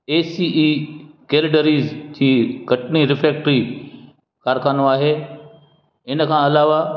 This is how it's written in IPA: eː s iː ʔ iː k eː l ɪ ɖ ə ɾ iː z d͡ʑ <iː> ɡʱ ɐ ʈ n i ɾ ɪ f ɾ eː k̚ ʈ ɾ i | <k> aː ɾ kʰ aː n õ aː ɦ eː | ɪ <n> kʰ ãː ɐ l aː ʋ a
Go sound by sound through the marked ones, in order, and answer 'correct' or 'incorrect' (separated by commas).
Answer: correct, correct, correct